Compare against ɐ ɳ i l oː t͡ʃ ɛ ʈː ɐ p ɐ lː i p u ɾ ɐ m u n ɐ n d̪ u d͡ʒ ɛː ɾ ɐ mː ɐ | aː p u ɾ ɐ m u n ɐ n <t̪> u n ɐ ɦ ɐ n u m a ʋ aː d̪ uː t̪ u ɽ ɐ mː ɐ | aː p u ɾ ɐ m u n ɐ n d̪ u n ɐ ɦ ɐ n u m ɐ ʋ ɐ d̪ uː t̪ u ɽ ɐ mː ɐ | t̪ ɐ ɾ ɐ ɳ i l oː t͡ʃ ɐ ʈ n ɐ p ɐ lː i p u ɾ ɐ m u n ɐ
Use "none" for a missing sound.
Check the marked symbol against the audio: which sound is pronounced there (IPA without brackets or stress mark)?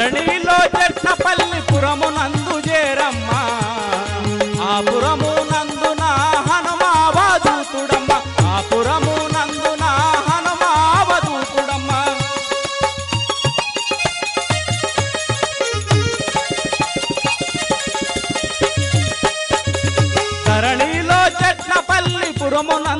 d̪